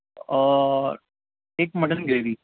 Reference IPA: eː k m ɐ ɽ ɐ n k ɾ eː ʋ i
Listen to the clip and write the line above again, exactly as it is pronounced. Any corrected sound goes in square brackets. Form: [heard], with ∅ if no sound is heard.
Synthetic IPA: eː k m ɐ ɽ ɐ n [ɡ] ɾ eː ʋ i